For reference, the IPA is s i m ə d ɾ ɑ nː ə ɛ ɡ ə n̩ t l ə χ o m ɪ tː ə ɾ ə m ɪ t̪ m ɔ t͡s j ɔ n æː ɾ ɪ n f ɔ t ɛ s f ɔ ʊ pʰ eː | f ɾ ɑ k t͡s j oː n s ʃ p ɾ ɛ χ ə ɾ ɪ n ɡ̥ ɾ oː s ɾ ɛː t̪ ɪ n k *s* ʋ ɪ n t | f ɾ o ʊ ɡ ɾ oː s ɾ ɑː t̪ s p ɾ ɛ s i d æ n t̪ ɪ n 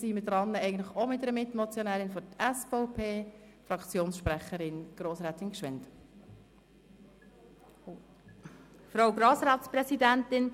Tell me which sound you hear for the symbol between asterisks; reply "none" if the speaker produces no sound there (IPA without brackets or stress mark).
ʃ